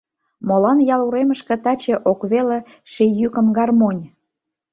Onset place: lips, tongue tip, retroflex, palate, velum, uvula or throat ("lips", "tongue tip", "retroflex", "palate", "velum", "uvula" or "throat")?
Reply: lips